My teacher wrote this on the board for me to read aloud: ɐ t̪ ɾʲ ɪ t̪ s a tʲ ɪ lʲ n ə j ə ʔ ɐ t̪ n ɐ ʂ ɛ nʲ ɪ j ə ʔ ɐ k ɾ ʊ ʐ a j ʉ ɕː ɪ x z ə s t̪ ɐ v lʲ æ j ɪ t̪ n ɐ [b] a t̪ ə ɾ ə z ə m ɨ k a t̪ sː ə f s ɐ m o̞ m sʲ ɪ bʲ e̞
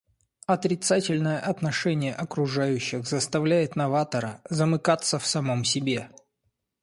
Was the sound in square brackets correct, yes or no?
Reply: no